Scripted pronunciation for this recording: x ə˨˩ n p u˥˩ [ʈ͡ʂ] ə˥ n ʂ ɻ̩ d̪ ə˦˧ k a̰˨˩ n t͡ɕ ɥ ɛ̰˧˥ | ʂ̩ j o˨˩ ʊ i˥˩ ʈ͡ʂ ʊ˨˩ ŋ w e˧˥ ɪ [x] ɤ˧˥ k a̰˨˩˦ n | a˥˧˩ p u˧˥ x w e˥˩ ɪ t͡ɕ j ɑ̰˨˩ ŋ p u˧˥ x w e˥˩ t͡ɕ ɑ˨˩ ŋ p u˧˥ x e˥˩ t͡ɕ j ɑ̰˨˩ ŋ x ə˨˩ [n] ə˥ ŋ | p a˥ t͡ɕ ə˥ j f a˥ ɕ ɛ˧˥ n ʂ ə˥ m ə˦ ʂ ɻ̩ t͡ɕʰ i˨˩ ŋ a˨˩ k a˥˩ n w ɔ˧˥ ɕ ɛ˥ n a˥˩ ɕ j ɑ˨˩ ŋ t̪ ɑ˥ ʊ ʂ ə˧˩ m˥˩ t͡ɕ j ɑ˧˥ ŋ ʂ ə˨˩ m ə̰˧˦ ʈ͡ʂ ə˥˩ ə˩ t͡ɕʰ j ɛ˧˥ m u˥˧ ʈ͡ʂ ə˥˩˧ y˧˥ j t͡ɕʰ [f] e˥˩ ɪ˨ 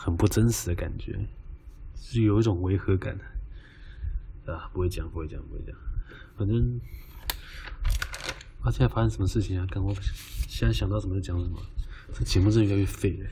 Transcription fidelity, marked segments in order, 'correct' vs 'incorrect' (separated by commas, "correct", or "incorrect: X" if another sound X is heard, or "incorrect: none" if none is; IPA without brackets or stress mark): correct, correct, correct, correct